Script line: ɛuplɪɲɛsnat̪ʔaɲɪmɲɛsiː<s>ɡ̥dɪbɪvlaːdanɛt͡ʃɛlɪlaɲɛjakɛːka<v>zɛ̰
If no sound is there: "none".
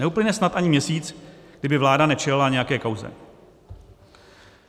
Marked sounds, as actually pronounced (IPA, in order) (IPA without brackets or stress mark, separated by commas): t͡s, w